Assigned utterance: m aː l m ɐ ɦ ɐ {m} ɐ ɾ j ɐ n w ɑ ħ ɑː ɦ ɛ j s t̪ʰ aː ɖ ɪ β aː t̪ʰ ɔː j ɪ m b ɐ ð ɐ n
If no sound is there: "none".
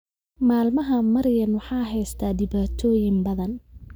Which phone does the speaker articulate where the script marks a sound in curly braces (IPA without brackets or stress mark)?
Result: m